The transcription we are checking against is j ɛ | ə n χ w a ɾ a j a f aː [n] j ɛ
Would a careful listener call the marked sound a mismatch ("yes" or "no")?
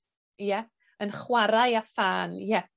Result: no